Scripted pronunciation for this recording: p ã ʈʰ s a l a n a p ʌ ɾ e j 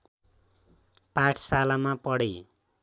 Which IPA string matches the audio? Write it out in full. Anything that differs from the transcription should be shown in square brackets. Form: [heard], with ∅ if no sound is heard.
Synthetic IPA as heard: p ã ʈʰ s a l a [m] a p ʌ [ɽ] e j

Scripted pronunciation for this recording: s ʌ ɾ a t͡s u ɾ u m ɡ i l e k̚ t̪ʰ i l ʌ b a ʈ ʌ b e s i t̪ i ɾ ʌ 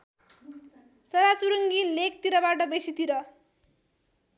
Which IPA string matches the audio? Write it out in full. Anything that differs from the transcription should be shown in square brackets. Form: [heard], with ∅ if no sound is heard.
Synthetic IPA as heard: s ʌ ɾ a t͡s u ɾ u [ŋ] ɡ i l e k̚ [t̪] i [ɾ] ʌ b a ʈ ʌ b e s i t̪ i ɾ ʌ

